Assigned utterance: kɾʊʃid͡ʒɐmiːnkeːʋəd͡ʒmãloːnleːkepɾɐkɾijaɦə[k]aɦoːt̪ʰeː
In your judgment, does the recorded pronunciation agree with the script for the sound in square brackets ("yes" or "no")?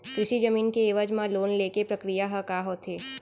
yes